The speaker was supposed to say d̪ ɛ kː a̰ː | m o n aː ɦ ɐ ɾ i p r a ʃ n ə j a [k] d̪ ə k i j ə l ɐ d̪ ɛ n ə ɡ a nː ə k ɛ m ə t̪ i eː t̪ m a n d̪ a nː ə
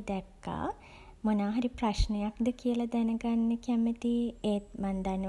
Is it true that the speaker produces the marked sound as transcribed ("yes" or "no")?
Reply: yes